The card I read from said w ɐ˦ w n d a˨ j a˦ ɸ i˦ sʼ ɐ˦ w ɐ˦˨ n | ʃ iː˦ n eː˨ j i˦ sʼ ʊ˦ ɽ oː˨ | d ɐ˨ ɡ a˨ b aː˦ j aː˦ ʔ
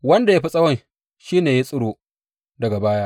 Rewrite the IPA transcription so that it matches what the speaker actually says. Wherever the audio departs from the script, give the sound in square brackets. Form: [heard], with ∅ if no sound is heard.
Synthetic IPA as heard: w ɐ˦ [∅] n d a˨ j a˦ ɸ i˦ sʼ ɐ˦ w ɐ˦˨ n | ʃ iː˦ n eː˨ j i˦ sʼ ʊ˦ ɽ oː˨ | d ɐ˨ ɡ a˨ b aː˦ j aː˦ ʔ